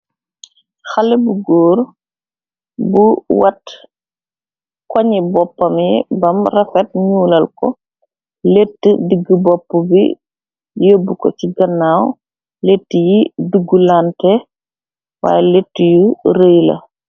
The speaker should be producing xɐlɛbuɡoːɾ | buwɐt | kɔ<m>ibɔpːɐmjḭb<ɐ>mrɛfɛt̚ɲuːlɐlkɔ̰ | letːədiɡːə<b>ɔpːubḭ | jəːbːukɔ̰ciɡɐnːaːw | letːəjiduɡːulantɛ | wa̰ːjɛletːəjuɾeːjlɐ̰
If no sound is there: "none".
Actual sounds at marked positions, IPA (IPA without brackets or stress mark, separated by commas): ɲ, ɐ, b